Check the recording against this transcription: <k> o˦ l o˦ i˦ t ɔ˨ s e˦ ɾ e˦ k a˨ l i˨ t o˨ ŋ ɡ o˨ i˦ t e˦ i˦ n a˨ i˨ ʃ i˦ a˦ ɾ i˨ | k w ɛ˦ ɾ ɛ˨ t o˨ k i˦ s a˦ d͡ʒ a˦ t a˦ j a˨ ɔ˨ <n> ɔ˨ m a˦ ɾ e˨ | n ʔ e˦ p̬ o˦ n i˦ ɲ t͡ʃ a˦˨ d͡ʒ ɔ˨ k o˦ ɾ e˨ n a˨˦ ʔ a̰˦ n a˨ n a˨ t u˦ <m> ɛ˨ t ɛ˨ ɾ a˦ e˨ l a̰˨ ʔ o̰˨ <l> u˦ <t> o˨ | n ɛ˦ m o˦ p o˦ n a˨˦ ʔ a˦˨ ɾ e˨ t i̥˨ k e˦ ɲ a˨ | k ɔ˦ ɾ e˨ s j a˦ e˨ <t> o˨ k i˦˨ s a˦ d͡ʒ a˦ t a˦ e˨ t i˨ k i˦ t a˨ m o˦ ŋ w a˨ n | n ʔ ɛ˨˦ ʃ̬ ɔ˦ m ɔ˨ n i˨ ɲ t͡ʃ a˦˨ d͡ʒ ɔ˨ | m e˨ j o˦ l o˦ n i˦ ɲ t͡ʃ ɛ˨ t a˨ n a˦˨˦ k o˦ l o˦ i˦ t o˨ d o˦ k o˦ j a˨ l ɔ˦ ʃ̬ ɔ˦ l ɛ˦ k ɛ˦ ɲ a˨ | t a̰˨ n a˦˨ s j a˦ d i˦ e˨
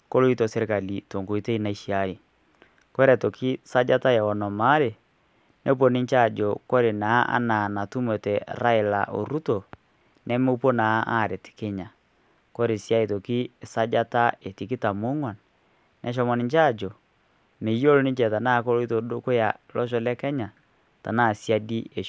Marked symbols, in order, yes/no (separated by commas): yes, yes, yes, no, yes, yes